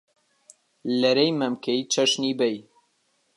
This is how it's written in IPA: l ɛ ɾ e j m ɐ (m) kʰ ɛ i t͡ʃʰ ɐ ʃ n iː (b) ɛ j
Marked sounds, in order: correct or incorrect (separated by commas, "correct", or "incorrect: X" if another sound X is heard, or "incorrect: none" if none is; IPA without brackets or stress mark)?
correct, correct